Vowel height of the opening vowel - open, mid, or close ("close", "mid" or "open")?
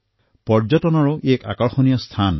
mid